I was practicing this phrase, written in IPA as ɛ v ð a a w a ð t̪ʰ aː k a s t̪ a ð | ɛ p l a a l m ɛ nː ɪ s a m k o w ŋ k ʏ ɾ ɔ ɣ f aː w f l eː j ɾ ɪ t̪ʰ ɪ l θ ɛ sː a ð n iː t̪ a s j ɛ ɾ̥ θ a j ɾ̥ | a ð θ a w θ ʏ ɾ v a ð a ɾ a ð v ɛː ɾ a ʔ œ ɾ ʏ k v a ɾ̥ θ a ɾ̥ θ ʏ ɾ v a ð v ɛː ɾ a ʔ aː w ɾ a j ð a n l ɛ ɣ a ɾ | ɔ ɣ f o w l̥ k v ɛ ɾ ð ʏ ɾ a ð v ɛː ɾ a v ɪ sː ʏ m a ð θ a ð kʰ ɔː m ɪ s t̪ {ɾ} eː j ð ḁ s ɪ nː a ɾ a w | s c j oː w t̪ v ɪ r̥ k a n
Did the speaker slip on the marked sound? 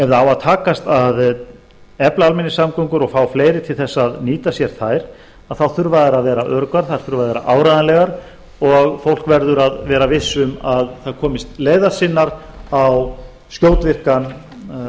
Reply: yes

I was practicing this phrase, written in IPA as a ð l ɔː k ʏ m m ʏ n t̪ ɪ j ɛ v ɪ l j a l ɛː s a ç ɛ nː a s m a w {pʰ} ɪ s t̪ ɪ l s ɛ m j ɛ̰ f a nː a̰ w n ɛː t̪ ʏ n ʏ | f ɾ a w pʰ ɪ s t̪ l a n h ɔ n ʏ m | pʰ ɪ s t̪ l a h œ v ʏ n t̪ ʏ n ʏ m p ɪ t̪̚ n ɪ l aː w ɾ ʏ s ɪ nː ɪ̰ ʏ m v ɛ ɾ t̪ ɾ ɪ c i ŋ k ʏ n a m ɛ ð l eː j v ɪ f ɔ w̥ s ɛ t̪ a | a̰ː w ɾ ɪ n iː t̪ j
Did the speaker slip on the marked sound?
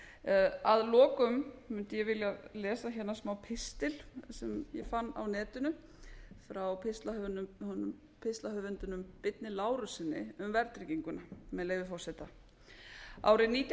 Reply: no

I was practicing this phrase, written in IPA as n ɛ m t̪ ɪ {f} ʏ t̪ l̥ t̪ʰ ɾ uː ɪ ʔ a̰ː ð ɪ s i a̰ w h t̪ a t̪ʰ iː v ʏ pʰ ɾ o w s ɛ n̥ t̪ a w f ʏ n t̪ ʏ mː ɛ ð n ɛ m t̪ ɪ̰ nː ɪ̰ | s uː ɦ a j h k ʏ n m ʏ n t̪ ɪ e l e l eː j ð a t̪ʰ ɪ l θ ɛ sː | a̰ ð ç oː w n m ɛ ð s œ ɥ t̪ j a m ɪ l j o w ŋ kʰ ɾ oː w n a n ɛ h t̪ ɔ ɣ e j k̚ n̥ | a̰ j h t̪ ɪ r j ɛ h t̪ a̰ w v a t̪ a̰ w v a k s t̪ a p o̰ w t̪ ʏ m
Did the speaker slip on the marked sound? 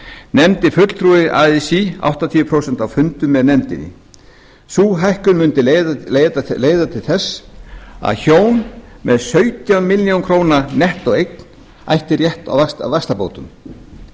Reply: no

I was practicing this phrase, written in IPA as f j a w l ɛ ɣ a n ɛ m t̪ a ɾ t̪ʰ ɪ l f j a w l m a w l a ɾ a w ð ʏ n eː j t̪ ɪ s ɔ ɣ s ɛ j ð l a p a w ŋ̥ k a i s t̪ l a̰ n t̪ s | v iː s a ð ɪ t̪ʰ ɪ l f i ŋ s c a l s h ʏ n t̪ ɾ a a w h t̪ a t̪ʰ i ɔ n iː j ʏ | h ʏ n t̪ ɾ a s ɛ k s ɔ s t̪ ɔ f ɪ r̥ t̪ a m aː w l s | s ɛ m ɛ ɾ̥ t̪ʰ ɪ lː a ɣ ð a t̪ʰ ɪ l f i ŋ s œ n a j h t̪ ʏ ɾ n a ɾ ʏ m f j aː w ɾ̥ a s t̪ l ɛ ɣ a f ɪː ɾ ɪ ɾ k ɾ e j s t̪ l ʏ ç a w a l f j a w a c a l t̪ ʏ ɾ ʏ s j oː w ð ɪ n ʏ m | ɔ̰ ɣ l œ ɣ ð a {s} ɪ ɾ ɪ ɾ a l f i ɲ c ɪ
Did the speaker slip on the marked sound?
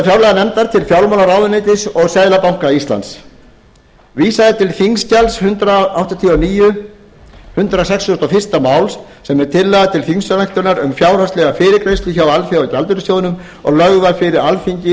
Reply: yes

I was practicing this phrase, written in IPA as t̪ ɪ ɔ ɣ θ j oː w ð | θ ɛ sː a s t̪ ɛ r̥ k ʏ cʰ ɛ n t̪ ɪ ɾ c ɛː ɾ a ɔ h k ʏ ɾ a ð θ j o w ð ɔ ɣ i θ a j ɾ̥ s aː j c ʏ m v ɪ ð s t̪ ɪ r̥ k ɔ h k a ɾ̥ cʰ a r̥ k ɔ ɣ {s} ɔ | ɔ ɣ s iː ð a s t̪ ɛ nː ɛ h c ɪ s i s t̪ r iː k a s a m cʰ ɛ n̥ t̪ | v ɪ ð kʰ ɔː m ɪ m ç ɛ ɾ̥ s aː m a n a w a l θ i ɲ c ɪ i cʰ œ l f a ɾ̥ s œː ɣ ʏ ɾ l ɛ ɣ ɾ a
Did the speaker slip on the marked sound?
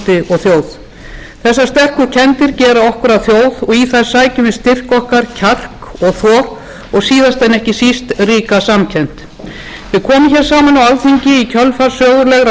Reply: yes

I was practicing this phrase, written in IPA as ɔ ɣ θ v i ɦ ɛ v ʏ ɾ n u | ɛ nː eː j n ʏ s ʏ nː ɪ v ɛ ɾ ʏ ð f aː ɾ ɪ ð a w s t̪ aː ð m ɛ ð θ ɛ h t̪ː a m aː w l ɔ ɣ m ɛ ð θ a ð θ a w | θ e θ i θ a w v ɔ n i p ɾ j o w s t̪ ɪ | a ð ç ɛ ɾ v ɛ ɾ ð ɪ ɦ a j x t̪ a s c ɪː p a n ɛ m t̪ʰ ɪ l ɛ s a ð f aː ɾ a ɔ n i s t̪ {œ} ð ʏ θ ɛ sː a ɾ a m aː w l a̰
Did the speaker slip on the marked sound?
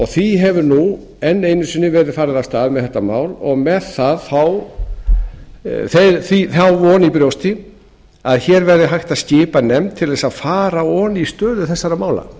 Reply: yes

